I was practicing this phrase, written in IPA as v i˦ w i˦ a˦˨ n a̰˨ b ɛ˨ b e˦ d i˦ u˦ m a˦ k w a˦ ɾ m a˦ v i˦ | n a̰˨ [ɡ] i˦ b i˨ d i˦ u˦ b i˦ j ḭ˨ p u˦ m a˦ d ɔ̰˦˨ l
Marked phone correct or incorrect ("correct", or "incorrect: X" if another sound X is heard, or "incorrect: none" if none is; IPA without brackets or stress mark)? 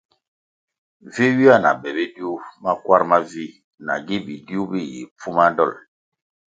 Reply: correct